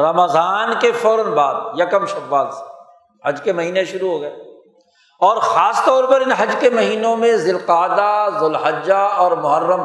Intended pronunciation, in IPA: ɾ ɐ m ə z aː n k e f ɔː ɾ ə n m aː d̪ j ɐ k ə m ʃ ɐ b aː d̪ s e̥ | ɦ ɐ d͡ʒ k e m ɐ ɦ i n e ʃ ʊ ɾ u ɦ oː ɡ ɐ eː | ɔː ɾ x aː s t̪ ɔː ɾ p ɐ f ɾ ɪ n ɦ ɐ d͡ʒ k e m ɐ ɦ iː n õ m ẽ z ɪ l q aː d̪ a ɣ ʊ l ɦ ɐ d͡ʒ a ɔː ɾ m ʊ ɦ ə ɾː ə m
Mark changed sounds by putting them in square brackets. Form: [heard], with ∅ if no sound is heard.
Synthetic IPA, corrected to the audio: ɾ ɐ m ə z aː n k e f ɔː ɾ ə n [b] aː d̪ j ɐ k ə m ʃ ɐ b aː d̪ s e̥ | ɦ ɐ d͡ʒ k e m ɐ ɦ [iː] n e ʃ ʊ ɾ u ɦ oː ɡ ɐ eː | ɔː ɾ x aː s t̪ ɔː ɾ p ɐ [∅] ɾ ɪ n ɦ ɐ d͡ʒ k e m ɐ ɦ iː n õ m ẽ z ɪ l q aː d̪ a [z] ʊ l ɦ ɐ d͡ʒ a ɔː ɾ m ʊ ɦ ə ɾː ə m